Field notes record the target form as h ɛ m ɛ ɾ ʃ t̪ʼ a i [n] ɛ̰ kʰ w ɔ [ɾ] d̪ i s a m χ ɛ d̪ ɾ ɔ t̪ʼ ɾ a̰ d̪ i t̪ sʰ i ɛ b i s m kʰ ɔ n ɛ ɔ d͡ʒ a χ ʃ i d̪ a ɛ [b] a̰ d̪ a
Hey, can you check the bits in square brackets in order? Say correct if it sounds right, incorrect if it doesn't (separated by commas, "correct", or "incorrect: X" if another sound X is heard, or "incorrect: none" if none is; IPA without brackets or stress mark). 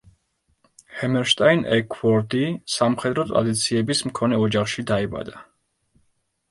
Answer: correct, correct, correct